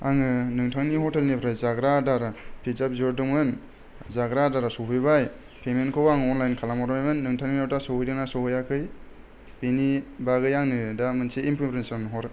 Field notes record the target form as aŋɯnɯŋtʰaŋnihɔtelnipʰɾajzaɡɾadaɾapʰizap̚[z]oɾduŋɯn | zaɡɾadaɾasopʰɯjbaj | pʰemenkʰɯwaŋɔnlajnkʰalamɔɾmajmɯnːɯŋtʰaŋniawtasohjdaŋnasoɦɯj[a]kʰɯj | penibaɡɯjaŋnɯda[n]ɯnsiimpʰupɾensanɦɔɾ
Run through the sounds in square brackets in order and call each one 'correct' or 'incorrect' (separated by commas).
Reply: correct, correct, incorrect